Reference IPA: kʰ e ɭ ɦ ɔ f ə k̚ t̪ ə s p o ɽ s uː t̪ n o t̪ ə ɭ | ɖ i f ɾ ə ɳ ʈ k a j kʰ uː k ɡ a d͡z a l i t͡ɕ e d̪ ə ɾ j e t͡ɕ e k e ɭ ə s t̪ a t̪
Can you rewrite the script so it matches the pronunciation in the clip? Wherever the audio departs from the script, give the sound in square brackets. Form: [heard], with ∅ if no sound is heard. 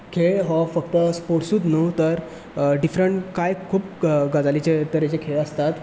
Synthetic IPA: kʰ e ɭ ɦ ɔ f ə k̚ t̪ ə s p o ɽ s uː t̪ n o t̪ ə [ɾ] | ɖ i f ɾ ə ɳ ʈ k a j kʰ uː [p] ɡ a d͡z a l i t͡ɕ e [t̪] ə ɾ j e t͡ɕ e [kʰ] e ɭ ə s t̪ a t̪